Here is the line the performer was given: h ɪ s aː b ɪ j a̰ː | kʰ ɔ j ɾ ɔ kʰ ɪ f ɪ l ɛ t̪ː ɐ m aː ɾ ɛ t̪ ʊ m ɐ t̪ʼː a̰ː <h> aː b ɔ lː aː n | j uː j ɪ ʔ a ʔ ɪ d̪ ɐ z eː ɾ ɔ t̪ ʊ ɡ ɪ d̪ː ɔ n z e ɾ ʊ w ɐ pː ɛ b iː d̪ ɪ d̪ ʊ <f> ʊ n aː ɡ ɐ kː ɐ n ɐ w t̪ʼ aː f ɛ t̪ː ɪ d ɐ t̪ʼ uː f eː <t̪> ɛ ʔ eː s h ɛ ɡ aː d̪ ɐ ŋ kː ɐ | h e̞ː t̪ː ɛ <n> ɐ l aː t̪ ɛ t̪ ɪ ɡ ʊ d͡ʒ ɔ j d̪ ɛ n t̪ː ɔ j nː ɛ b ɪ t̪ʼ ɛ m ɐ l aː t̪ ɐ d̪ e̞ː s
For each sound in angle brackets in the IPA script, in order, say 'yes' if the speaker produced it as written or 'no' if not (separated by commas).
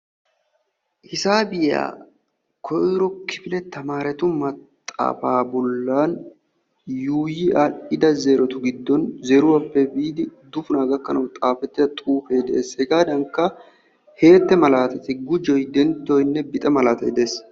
no, yes, no, no